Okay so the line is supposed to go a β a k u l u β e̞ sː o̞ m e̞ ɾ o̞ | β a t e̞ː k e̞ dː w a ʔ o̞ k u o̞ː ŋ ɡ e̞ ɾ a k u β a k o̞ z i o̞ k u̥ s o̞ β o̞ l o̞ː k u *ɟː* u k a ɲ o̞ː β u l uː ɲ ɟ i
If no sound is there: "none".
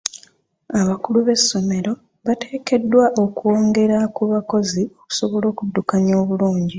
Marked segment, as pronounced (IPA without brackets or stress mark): dː